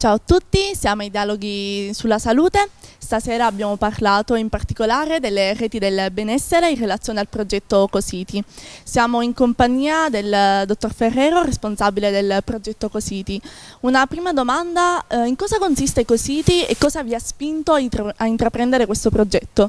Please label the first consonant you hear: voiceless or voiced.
voiceless